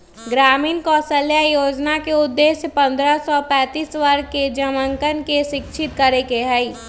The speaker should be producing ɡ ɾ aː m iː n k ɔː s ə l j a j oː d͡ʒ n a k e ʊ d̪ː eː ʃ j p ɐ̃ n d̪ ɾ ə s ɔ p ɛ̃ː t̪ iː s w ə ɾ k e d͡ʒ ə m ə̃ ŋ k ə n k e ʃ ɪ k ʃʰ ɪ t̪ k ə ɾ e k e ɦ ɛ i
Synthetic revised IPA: ɡ ɾ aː m iː n k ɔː s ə l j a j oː d͡ʒ n a k e ʊ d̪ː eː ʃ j p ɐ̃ n d̪ ɾ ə s ɔ p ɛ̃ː t̪ iː s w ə ɾ k e d͡ʒ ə m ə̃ ŋ k ə n k e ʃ ɪ k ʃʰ ɪ t̪ k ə ɾ e k e ɦ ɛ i